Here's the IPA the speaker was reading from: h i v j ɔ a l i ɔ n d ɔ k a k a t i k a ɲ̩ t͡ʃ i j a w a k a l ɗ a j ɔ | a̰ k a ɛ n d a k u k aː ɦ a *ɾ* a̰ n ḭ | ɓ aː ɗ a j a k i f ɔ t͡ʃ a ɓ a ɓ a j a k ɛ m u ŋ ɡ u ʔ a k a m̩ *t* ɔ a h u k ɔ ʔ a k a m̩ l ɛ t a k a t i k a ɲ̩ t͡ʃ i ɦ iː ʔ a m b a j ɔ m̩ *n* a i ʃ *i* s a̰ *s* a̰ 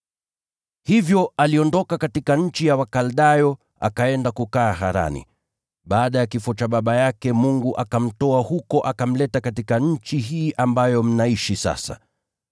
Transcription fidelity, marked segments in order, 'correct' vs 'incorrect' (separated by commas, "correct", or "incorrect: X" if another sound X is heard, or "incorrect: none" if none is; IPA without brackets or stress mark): correct, correct, correct, correct, correct